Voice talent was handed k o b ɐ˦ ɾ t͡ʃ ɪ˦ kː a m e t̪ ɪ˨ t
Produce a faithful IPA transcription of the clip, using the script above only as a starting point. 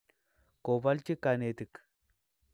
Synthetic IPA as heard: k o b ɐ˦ l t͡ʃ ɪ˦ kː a n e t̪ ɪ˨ k